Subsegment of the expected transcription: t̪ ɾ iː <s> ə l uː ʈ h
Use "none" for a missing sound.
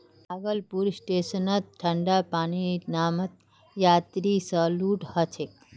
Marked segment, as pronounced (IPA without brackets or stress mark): s